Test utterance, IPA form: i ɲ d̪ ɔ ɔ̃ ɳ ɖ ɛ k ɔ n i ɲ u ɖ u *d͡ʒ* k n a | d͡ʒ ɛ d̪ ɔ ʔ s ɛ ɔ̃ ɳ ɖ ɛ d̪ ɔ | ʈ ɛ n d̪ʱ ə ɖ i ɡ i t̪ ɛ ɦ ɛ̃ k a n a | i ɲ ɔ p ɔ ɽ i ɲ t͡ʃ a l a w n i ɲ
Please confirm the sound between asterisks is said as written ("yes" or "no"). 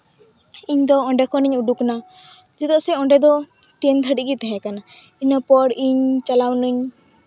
no